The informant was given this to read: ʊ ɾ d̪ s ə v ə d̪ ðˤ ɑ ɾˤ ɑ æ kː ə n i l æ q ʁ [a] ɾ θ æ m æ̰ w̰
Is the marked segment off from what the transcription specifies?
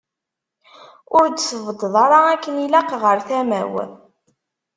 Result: yes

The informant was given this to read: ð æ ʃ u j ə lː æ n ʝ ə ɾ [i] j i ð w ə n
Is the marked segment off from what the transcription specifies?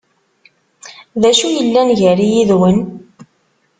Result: no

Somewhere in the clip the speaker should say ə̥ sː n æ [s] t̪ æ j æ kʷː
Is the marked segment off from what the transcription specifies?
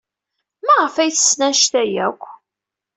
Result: yes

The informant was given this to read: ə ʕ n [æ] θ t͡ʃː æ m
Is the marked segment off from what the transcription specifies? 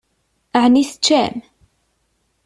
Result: yes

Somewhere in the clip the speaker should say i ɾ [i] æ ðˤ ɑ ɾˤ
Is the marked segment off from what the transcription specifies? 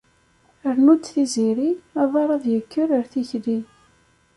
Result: no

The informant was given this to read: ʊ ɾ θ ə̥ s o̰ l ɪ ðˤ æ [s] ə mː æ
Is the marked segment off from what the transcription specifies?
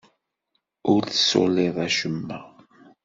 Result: yes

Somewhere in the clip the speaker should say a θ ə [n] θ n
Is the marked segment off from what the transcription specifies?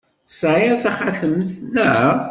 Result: yes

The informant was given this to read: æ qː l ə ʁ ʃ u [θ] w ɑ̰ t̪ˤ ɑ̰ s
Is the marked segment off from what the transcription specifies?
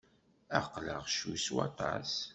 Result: yes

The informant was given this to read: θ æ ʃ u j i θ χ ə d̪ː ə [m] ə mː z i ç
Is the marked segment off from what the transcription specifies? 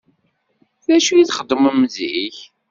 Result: no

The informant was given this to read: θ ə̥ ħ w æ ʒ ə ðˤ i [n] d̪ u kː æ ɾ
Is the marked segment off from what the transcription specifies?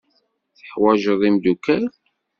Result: yes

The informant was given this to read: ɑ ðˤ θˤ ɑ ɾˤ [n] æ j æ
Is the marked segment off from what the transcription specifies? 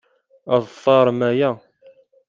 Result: yes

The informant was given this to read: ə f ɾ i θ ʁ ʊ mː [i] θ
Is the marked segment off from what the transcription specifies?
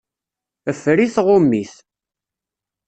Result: no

